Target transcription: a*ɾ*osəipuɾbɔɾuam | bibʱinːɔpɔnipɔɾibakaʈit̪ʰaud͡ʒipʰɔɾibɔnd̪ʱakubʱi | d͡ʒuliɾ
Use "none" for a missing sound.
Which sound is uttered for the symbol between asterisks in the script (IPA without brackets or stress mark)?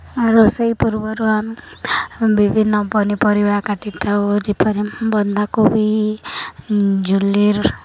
ɾ